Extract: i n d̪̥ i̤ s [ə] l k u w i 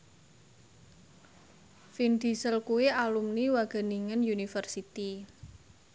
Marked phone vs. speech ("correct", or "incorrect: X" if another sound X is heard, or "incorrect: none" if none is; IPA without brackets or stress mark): correct